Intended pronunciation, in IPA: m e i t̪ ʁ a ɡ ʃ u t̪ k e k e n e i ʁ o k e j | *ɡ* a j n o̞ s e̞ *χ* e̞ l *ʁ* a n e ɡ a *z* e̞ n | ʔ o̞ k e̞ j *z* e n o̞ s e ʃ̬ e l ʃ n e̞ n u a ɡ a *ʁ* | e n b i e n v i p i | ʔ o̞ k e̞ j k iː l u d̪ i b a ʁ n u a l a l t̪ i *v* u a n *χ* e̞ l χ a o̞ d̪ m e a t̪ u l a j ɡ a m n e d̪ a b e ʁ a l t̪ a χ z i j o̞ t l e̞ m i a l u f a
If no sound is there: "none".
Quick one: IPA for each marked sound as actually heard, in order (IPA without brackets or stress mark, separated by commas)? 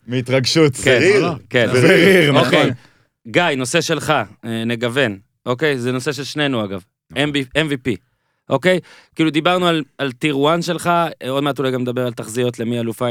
ɡ, ʃ, χ, v, z, v, ʁ, ʃ